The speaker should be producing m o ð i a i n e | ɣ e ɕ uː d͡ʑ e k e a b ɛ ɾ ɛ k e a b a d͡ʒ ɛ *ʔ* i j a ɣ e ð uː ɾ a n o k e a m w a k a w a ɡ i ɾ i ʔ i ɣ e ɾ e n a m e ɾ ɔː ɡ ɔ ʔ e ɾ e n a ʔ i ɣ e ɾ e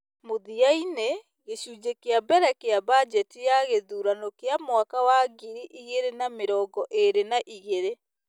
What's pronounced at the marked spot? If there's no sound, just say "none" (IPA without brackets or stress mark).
t